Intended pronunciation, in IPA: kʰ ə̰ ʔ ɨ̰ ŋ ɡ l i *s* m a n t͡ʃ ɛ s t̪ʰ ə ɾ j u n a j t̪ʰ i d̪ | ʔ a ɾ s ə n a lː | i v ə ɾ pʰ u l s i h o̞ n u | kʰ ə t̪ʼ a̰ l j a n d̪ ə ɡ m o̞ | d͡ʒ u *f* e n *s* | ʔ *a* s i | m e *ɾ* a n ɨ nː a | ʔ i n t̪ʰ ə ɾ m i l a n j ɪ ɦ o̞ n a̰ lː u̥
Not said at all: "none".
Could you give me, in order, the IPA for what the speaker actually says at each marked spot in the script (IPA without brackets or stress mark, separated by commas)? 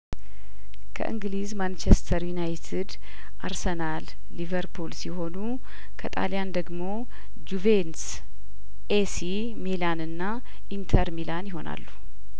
z, v, s, e, l